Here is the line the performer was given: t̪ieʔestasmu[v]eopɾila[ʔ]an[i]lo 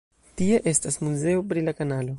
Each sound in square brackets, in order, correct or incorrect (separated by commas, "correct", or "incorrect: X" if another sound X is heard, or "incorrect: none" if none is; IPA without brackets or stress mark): incorrect: z, incorrect: k, incorrect: a